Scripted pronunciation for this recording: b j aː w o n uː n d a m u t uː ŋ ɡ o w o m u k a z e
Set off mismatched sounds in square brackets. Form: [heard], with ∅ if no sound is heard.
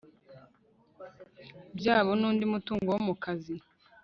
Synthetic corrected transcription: b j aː [β] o n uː n d [i] m u t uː ŋ ɡ o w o m u k a z [i]